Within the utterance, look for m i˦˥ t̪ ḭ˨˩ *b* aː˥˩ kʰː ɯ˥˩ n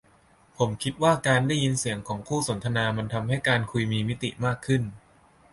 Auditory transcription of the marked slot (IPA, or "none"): m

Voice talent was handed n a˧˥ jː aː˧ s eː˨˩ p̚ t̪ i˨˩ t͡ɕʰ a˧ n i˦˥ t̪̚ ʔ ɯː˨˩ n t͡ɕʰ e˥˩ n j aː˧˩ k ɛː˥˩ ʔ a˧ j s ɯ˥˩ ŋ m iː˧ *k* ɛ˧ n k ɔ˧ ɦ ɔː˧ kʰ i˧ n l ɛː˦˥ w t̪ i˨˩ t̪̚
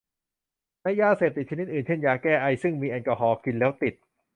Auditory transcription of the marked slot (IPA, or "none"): ʔ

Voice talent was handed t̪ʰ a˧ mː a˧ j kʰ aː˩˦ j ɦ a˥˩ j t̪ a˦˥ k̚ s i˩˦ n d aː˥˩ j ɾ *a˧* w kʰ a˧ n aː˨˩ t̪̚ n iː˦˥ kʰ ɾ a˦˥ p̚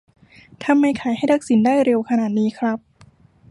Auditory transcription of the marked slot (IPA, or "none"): e˧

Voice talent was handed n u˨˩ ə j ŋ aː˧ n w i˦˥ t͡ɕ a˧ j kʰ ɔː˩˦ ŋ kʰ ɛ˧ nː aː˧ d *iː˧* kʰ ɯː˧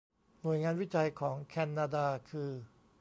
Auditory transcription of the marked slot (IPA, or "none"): aː˧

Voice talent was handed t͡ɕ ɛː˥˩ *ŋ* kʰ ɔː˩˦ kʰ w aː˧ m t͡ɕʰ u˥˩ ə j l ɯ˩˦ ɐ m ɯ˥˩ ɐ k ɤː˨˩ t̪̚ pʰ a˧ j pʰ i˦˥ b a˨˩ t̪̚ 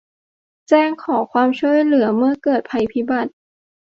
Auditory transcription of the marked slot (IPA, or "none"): ŋ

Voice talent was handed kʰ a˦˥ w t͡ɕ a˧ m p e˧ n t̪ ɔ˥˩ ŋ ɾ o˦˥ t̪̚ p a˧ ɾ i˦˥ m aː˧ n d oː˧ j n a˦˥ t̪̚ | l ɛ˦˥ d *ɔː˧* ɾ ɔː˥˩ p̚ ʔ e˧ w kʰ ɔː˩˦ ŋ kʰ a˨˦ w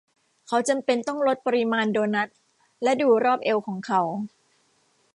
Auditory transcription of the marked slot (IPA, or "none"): uː˧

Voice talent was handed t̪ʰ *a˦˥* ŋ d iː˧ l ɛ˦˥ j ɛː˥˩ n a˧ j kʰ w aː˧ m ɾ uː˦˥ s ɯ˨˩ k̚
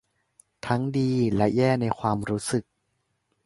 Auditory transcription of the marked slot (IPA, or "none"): a˦˥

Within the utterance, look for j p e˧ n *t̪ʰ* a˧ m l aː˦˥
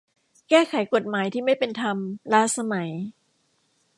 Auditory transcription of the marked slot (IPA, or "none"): t̪ʰ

